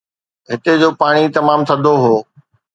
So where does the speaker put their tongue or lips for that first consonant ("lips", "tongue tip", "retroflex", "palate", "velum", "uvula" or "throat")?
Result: throat